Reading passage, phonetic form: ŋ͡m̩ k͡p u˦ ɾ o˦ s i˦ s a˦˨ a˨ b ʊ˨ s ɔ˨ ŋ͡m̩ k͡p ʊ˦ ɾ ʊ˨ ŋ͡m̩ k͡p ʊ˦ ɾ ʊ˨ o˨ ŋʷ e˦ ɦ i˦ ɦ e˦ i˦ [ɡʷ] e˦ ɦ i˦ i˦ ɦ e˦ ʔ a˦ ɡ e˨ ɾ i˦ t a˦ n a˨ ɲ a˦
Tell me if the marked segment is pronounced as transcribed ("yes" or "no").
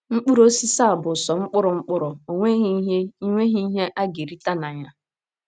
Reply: no